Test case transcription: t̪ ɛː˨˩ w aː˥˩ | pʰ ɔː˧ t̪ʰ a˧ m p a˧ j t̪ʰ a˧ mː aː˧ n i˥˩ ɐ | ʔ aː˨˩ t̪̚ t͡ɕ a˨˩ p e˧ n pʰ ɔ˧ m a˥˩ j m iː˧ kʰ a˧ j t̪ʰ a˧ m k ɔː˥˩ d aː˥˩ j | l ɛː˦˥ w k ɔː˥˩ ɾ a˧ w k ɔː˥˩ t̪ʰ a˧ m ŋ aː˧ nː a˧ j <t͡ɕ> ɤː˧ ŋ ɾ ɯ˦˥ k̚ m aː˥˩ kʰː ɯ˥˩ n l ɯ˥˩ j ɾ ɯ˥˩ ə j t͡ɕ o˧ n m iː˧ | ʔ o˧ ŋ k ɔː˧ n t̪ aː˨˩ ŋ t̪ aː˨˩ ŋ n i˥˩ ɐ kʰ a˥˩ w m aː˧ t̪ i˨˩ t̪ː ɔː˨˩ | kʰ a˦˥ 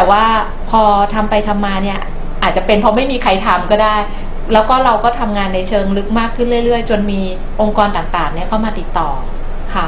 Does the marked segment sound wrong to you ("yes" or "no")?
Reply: yes